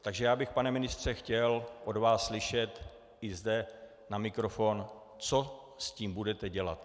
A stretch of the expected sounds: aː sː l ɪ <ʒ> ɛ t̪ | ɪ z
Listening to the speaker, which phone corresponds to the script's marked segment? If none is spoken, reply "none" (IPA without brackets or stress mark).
ʃ